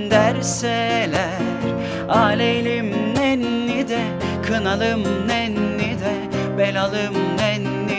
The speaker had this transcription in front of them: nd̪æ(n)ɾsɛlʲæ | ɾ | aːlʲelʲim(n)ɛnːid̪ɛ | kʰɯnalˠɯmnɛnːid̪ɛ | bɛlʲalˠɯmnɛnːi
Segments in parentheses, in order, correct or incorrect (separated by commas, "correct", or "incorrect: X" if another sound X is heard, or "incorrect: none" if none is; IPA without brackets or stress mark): incorrect: none, correct